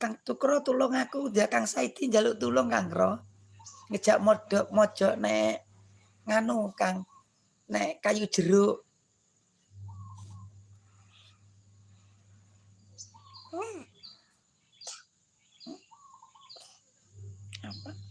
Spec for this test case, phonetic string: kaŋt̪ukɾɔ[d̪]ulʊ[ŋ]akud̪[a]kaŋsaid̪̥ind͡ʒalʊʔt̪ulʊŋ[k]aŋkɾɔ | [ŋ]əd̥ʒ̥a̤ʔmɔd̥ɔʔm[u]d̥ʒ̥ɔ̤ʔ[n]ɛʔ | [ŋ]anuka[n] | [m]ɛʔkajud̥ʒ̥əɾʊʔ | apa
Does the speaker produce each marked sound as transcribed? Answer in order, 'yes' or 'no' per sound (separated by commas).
no, yes, yes, yes, yes, no, yes, yes, no, no